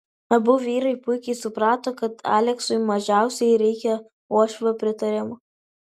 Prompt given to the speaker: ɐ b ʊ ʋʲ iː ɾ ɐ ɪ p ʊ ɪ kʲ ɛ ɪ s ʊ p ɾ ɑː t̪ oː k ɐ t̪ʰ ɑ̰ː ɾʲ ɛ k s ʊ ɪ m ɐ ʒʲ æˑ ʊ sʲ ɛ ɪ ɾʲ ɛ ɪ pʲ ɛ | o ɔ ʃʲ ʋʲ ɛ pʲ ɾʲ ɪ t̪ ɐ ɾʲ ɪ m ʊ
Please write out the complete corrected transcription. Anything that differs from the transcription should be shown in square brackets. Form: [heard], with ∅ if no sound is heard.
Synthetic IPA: ɐ b ʊ ʋʲ iː ɾ ɐ ɪ p ʊ ɪ kʲ ɛ ɪ s ʊ p ɾ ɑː t̪ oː k ɐ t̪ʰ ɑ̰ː [lʲ] ɛ k s ʊ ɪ m ɐ ʒʲ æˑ ʊ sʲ ɛ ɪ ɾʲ ɛ ɪ [kʲ] ɛ | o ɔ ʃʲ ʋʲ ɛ pʲ ɾʲ ɪ t̪ ɐ ɾʲ ɪ m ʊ

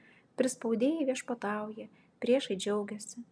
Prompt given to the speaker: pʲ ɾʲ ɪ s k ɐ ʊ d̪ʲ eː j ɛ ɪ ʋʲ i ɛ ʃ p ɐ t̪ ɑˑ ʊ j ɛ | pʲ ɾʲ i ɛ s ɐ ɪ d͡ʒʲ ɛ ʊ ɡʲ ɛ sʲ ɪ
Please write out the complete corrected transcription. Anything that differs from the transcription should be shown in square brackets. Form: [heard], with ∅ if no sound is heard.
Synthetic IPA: pʲ ɾʲ ɪ s [p] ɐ ʊ d̪ʲ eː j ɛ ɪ ʋʲ i ɛ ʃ p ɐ t̪ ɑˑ ʊ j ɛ | pʲ ɾʲ i ɛ [ʃ] ɐ ɪ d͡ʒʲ ɛ ʊ ɡʲ ɛ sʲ ɪ

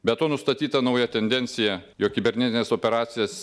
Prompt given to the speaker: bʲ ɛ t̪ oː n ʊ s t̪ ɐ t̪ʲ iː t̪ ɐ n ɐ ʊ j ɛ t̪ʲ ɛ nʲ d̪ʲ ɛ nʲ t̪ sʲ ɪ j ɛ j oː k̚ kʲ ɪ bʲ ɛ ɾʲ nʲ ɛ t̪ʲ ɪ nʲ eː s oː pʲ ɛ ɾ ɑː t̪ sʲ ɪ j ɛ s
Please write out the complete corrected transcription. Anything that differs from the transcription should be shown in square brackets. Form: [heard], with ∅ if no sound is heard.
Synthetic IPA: bʲ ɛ t̪ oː n ʊ s t̪ ɐ t̪ʲ iː t̪ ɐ n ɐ ʊ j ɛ t̪ʲ ɛ nʲ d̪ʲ ɛ nʲ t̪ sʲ ɪ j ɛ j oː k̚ kʲ ɪ bʲ ɛ ɾʲ nʲ ɛ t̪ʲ ɪ nʲ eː s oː pʲ ɛ ɾ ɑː t̪ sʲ ɪ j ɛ s

